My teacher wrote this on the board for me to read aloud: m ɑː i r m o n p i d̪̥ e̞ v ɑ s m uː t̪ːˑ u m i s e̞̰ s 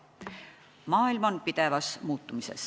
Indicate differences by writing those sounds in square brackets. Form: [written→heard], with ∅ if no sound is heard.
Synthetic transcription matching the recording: m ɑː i [r→l] m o n p i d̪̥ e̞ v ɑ s m uː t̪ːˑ u m i s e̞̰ s